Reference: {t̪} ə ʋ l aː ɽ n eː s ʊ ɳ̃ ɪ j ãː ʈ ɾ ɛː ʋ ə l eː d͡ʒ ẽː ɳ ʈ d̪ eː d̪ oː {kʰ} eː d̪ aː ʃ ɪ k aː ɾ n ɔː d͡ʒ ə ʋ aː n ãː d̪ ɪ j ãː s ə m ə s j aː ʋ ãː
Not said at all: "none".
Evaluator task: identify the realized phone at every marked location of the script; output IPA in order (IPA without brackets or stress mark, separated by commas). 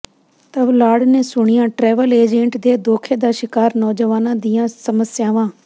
t̪, kʰ